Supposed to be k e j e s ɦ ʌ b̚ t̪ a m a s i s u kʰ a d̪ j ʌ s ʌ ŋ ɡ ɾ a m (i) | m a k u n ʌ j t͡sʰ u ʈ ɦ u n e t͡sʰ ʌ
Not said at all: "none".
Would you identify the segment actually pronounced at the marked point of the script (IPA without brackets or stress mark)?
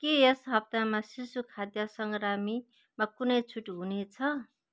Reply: i